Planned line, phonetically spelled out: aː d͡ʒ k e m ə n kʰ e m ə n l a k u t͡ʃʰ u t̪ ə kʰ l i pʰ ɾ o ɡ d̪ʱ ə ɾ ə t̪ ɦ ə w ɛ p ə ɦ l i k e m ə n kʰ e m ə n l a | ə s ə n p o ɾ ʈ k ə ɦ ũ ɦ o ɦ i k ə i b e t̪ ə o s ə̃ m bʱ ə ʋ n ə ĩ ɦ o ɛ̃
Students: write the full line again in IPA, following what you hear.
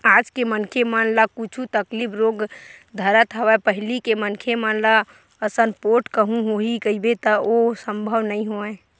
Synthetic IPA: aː d͡ʒ k e m ə n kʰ e m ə n l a k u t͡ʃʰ u t̪ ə k l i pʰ ɾ o ɡ d̪ʱ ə ɾ ə t̪ ɦ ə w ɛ p ə ɦ l i k e m ə n kʰ e m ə n l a | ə s ə n p o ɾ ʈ k ə ɦ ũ ɦ o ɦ i k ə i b e t̪ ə o s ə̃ m bʱ ə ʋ n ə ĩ ɦ o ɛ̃